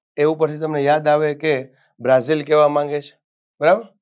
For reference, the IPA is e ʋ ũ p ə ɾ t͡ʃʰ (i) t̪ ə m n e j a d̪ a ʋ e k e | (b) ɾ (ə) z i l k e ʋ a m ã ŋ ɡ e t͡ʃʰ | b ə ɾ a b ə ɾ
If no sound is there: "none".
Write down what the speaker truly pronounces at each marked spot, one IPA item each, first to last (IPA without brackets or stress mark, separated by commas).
i, b, a